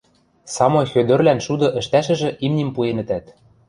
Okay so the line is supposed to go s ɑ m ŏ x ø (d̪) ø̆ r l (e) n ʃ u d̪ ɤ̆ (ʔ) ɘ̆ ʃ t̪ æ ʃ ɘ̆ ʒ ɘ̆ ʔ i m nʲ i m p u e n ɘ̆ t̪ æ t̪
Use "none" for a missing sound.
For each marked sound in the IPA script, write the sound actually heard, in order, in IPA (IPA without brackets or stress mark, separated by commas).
d̪, æ, ʔ